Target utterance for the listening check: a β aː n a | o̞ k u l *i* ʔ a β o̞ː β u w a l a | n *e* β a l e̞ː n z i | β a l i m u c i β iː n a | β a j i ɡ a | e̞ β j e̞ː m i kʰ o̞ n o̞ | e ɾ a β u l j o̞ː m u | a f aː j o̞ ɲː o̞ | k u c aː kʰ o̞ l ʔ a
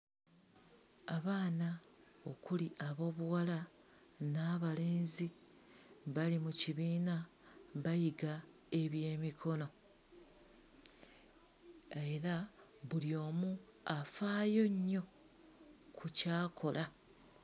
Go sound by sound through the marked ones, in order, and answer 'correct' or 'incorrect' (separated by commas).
correct, incorrect